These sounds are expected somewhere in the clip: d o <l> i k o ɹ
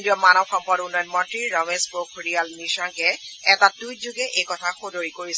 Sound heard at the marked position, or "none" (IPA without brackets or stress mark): ɹ